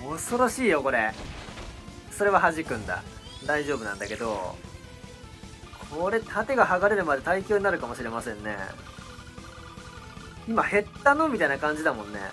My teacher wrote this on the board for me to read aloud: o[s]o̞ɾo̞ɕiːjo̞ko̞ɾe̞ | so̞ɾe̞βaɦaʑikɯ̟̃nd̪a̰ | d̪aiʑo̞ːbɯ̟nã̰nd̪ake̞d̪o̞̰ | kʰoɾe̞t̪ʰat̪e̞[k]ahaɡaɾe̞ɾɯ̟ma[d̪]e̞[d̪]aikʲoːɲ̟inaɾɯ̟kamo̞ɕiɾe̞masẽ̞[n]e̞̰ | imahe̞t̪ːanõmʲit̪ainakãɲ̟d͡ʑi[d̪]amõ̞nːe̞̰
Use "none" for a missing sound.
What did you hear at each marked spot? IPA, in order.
s, ɡ, d̪, t̪, nː, d̪

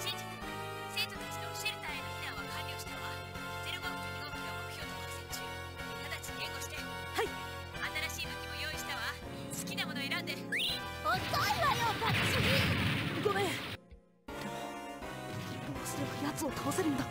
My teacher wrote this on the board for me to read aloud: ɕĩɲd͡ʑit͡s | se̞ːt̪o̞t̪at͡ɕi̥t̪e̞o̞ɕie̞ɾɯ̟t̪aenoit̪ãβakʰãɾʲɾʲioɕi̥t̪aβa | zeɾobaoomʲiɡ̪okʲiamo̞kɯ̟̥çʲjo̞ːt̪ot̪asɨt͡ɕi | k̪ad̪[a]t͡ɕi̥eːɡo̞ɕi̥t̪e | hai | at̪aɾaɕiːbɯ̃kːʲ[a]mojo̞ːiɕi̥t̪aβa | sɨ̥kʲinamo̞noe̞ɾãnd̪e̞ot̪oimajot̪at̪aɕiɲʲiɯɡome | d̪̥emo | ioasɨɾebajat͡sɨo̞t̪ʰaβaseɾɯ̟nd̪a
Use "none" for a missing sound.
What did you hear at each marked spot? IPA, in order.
a, i

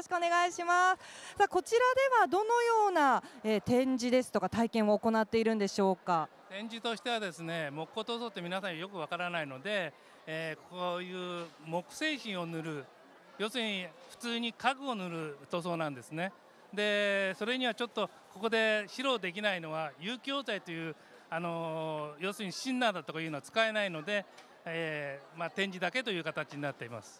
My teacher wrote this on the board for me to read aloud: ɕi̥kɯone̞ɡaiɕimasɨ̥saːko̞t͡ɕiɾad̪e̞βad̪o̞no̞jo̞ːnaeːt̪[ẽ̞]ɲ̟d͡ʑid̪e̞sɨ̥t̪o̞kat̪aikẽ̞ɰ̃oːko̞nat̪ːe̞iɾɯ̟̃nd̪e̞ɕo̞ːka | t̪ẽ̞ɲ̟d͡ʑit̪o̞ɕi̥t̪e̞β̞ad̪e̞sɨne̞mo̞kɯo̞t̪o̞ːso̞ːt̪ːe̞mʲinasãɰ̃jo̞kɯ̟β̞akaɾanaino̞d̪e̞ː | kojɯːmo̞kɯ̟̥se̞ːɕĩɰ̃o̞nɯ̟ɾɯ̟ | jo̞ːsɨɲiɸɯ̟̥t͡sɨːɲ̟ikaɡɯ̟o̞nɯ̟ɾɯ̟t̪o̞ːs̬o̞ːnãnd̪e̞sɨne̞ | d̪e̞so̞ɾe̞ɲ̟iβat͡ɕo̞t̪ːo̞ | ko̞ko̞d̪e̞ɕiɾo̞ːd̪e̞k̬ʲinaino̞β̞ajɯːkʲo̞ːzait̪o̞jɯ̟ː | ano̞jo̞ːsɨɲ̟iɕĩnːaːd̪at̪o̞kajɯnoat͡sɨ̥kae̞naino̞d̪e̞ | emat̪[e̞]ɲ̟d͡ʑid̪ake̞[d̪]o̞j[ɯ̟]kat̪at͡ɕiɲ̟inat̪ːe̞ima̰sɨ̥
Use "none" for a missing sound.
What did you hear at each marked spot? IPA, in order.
ẽ̞, ẽ̞, t̪, ɯ̟ː

